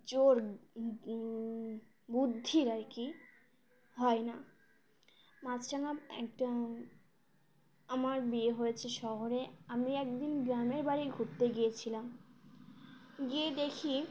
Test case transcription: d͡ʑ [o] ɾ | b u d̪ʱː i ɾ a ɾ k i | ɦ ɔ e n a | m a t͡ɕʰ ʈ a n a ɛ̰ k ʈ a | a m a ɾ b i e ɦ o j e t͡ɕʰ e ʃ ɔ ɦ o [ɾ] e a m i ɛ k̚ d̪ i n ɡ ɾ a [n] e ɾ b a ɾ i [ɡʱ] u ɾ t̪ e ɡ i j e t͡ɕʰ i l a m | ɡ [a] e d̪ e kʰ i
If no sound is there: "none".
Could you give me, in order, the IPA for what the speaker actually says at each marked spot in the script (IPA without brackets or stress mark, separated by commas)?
o, ɾ, m, ɡʱ, i